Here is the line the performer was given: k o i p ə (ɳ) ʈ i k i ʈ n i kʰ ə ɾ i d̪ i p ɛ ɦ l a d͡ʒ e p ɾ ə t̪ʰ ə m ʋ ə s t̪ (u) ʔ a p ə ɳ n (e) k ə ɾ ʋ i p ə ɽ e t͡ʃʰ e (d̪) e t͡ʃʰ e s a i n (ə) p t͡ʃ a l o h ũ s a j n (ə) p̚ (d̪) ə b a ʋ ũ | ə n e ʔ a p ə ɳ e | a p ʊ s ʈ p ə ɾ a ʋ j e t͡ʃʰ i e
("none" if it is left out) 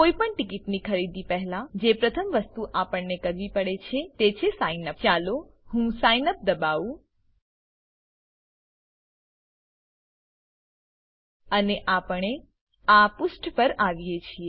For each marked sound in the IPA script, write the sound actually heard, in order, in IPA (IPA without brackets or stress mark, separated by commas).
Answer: ɳ, u, e, t̪, ə, ə, d̪